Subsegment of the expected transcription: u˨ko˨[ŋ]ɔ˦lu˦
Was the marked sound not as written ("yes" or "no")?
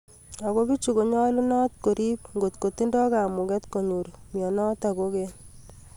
yes